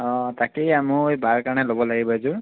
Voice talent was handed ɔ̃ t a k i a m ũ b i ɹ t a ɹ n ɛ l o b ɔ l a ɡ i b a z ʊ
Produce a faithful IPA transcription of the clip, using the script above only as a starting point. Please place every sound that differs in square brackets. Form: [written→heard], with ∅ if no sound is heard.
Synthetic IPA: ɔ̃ t a k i a m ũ b [i→a] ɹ [t→k] a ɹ n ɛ l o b ɔ l a ɡ i b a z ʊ